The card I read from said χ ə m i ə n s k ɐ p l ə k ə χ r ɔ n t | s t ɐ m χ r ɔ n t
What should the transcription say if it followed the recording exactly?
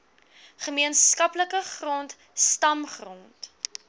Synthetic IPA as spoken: χ ə m i ə n s k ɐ p l ə k ə χ r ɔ n t | s t ɐ m χ r ɔ n t